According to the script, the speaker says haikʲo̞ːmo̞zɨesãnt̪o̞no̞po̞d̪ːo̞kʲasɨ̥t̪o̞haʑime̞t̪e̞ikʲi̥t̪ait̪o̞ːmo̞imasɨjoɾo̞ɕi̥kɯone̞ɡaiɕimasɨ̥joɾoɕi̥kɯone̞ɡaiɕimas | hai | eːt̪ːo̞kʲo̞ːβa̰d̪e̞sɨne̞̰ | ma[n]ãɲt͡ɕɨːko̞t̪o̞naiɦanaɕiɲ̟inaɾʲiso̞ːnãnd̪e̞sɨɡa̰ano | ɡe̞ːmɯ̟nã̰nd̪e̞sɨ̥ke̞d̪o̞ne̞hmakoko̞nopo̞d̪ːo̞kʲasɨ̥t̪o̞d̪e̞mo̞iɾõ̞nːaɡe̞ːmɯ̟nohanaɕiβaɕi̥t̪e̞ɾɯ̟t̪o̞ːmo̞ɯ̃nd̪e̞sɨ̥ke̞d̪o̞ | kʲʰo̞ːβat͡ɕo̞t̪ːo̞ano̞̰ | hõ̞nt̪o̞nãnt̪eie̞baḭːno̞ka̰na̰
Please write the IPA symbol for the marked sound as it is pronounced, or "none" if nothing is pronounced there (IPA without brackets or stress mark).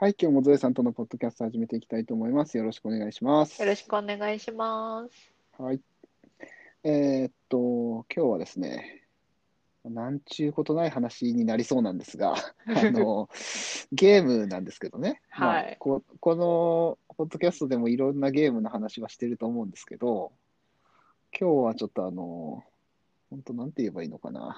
n